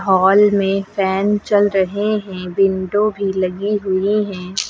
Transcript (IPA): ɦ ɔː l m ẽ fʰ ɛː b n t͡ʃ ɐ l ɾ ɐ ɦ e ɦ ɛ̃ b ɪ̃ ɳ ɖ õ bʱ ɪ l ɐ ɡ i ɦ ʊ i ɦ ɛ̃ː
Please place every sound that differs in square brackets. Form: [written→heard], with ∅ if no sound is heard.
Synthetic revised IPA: ɦ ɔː l m ẽ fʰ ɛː [b→∅] n t͡ʃ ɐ l ɾ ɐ ɦ e ɦ ɛ̃ b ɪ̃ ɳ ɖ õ bʱ [ɪ→i] l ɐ ɡ i ɦ ʊ i ɦ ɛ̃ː